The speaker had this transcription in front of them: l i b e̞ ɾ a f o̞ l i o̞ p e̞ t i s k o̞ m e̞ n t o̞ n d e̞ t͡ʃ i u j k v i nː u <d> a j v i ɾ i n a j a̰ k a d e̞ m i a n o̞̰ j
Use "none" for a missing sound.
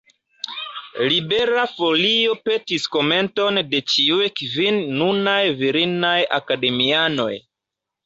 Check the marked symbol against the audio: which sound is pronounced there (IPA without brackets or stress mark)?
n